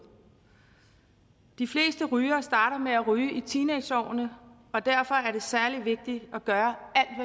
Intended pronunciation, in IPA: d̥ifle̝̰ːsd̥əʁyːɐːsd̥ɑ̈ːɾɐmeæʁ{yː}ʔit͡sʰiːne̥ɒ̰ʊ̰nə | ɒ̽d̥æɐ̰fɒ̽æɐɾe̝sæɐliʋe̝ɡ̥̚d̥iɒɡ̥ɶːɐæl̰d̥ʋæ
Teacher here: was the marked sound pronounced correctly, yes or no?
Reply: yes